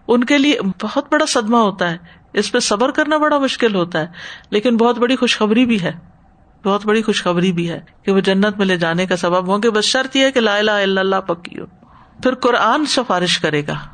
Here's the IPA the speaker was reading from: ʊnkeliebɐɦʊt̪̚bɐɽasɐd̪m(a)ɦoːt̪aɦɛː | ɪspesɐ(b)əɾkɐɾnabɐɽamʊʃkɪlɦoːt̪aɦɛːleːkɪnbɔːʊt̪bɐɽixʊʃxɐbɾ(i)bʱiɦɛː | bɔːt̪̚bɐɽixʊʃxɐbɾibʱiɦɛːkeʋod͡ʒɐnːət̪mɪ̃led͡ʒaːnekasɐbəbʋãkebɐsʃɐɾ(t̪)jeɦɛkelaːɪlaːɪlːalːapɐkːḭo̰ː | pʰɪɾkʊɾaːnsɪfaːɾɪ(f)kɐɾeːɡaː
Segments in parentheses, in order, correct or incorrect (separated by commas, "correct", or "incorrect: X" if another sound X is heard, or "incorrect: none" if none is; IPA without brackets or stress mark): correct, correct, correct, correct, incorrect: ʃ